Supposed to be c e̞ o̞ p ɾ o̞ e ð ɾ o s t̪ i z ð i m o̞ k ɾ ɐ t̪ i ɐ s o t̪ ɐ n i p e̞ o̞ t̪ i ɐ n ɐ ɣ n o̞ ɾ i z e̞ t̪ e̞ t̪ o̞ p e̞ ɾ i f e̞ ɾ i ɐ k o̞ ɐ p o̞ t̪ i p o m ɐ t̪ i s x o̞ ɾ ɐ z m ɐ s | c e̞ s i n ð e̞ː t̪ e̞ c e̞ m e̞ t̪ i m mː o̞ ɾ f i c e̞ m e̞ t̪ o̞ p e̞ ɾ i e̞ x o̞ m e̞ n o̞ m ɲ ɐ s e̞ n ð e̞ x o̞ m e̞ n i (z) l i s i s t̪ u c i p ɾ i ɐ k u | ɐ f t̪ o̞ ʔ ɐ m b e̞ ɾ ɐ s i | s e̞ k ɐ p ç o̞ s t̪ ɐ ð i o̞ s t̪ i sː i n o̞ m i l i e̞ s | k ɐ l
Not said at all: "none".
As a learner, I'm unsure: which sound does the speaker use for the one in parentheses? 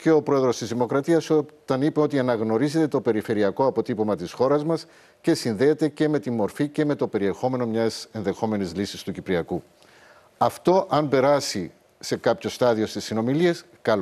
z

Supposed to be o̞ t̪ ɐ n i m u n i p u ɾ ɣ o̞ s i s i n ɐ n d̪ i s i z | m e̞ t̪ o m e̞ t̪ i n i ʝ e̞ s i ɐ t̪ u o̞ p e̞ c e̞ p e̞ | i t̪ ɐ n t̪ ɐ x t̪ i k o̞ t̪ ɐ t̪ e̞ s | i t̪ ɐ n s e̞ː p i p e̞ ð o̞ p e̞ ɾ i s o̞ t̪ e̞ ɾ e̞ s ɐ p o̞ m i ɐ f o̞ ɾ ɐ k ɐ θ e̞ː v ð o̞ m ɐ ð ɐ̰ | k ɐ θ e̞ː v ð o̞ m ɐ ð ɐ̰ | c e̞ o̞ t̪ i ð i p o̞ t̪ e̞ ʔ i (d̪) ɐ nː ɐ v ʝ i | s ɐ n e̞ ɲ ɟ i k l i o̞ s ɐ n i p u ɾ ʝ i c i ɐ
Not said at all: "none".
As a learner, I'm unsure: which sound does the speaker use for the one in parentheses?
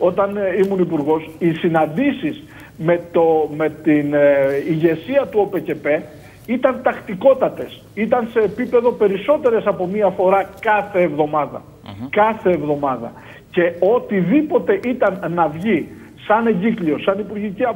t̪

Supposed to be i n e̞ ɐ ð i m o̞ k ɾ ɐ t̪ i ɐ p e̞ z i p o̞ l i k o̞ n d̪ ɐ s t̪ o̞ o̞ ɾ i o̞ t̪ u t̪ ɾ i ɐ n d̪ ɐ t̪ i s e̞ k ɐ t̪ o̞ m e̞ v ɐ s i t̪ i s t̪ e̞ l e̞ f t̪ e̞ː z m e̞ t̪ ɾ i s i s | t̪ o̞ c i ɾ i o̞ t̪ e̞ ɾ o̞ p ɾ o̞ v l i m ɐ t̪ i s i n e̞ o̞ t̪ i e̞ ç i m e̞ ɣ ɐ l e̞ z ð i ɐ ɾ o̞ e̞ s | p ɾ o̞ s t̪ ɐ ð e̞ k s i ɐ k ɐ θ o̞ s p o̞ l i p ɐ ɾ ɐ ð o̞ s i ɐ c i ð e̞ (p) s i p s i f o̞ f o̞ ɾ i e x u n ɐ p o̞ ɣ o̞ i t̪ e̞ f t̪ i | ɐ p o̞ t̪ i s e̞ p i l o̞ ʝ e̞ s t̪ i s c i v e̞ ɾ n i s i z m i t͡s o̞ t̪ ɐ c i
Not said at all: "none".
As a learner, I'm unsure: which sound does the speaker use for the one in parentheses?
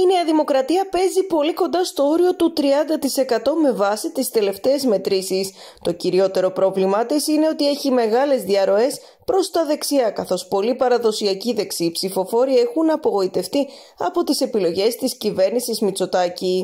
k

